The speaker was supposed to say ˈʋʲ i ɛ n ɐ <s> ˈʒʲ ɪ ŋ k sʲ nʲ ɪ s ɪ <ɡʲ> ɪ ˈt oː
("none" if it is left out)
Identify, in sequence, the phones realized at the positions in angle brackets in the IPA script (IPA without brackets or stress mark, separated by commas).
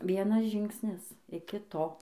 s, kʲ